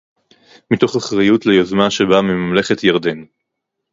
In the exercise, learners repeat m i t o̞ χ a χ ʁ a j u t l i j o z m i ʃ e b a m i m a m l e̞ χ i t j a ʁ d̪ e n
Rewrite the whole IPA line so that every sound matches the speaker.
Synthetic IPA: m i t o̞ χ a χ ʁ a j u t l e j o z m a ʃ e b a m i m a m l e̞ χ e t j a ʁ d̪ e n